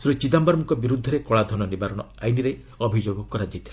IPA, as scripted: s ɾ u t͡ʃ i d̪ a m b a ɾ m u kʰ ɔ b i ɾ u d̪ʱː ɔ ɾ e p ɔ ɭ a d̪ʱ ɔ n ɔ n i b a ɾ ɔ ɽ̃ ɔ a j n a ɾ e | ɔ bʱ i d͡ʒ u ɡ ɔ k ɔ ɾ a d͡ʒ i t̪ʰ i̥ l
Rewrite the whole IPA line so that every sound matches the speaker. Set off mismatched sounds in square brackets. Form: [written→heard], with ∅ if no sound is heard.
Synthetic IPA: s ɾ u t͡ʃ i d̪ a m b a ɾ m u [kʰ→k] ɔ b i ɾ u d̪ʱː ɔ ɾ e [p→k] ɔ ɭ a d̪ʱ ɔ n ɔ n i b a ɾ ɔ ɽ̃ ɔ a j n [a→i] ɾ e | ɔ bʱ i d͡ʒ [u→o] ɡ ɔ k ɔ ɾ a d͡ʒ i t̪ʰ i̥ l